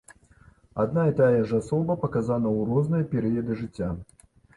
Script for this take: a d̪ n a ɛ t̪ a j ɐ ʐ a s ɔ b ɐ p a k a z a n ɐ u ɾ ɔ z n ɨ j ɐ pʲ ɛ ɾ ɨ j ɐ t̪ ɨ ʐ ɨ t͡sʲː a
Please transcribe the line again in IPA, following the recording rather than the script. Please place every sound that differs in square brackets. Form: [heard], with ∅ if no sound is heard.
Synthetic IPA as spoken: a d̪ n a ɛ t̪ a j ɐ ʐ a s ɔ b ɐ p [ɐ] k a z a n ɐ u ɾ ɔ z n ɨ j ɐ pʲ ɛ ɾ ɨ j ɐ [d̪] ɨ ʐ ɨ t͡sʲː a